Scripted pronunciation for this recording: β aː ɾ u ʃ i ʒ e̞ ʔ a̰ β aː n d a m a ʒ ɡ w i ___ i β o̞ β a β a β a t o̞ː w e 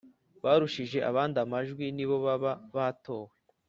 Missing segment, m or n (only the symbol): n